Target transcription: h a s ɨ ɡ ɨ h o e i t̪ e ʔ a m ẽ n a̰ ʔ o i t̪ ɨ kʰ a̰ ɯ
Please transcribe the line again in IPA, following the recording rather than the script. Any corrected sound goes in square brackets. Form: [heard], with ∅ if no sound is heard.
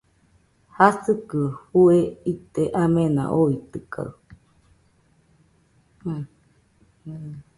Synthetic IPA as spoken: h a s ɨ [k] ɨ h [u] e i t̪ e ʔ a m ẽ n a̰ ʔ o i t̪ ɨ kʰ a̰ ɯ